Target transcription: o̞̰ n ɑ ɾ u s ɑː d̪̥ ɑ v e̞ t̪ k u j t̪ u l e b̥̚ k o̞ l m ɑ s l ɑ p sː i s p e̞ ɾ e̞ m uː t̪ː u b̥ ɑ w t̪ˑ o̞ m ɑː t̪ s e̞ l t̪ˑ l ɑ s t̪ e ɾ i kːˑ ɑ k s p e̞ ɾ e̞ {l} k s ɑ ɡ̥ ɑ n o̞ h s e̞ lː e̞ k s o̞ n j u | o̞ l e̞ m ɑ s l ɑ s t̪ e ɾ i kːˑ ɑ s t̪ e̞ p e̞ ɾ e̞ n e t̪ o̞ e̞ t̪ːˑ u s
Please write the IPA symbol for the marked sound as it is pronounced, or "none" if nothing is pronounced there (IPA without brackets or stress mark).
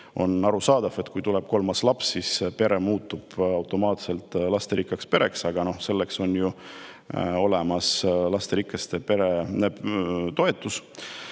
none